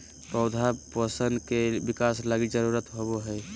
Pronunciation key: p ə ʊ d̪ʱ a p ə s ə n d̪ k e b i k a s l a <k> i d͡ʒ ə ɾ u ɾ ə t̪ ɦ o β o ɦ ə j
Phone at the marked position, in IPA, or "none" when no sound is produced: ɡ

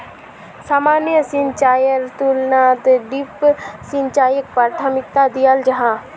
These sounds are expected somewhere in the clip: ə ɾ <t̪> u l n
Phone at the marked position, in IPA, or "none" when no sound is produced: t̪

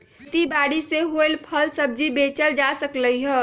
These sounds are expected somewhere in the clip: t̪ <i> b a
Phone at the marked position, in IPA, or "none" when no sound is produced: i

